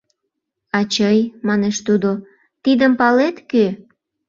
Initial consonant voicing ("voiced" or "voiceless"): voiceless